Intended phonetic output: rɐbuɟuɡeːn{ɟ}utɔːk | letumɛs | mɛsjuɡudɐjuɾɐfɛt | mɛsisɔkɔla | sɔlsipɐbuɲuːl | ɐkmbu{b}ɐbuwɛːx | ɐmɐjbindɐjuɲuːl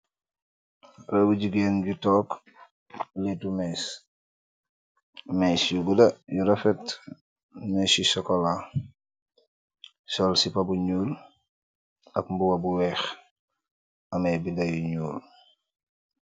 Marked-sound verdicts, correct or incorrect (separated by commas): correct, incorrect